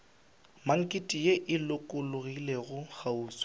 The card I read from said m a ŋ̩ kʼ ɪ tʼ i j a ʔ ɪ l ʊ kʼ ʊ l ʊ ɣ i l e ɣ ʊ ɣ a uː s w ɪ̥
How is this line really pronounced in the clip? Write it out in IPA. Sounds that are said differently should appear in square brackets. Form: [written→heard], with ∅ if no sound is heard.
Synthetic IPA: m a ŋ̩ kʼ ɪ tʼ i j [a→e] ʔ ɪ l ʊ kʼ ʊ l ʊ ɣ i l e ɣ ʊ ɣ a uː s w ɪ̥